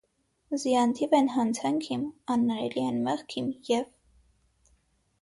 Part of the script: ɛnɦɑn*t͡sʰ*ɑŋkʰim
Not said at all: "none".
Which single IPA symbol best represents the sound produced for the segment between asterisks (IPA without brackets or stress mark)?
t͡sʰ